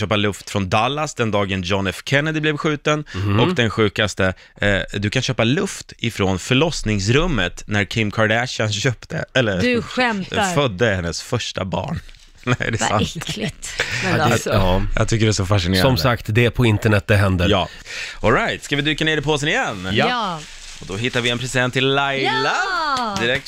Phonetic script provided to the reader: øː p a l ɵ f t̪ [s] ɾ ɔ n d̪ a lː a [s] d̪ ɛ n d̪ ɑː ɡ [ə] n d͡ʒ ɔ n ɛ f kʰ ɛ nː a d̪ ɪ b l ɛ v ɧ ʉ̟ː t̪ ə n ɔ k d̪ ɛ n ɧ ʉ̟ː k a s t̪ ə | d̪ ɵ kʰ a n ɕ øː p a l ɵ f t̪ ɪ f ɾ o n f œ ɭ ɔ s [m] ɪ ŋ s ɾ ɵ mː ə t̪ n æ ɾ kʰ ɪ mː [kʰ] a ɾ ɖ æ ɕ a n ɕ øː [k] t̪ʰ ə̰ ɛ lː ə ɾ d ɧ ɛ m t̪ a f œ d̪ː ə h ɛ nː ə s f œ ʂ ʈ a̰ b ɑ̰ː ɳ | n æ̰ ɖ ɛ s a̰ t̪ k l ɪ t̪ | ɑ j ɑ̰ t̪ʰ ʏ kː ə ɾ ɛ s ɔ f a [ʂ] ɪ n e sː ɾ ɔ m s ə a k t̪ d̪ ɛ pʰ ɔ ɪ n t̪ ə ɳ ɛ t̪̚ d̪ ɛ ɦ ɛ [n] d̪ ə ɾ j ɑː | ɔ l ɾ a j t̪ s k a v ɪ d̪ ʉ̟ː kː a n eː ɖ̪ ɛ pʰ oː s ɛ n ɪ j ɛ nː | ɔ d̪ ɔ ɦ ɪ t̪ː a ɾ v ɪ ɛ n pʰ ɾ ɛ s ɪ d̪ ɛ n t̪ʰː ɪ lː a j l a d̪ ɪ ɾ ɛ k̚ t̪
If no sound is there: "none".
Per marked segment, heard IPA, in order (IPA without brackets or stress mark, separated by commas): f, s, ə, n, kʰ, p, ʂ, n